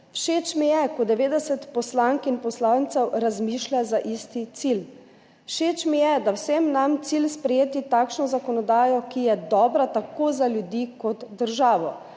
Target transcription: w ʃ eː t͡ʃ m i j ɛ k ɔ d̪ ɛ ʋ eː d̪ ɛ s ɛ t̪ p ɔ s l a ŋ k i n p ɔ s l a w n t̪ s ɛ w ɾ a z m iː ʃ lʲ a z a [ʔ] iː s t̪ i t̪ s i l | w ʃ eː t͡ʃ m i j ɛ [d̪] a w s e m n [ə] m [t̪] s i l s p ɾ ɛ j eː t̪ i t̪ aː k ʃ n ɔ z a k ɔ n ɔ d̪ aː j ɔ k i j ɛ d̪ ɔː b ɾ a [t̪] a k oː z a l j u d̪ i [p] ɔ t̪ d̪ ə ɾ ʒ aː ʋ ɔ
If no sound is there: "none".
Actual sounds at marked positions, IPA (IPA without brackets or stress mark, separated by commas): ʔ, d̪, a, t̪, t̪, k